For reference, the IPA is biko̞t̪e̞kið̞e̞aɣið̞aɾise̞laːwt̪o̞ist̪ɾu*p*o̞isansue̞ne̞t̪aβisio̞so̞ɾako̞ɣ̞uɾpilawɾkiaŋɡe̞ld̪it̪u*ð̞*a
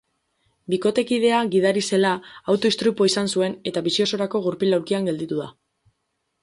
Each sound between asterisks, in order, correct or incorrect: correct, correct

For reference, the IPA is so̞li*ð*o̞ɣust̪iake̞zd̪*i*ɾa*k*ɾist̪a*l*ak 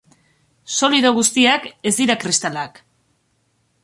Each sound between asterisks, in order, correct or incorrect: correct, correct, correct, correct

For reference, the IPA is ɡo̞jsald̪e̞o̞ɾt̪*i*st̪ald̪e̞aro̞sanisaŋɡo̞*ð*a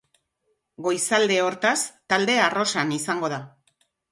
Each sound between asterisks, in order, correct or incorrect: incorrect, correct

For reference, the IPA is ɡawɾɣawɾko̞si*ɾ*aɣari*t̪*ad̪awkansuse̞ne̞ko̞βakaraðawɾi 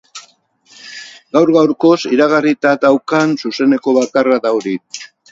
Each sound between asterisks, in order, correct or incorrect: correct, correct

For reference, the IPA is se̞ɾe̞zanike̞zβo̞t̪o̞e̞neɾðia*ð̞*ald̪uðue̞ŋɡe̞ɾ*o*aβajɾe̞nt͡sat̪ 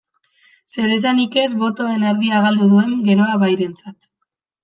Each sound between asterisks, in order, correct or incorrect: incorrect, correct

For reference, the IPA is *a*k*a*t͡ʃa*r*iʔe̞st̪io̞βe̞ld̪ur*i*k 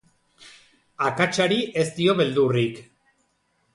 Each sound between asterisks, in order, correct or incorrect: correct, correct, incorrect, correct

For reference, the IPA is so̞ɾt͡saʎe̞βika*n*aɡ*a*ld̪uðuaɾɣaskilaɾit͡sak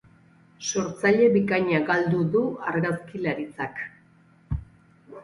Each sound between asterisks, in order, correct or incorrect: incorrect, correct

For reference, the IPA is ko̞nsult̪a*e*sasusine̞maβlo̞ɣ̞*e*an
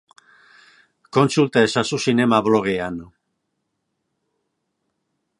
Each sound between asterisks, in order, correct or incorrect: correct, correct

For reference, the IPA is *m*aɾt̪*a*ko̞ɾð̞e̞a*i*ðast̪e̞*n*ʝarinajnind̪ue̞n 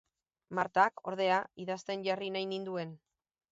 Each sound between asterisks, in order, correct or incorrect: correct, correct, correct, correct

